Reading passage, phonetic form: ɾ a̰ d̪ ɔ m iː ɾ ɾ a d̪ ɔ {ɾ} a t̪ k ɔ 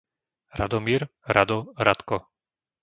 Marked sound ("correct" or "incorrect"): correct